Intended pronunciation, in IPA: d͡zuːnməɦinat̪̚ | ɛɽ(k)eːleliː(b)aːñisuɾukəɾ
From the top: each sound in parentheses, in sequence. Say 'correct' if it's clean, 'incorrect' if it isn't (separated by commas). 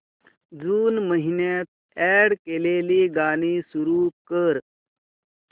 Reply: correct, incorrect